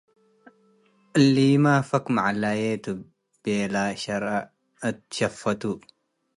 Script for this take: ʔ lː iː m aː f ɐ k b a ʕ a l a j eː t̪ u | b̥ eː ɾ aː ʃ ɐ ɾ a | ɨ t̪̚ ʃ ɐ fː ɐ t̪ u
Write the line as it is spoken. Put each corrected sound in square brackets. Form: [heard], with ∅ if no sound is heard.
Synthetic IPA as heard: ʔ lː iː m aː f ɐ k [m] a ʕ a l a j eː t̪ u | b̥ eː [l] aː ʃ ɐ ɾ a | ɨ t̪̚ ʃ ɐ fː ɐ t̪ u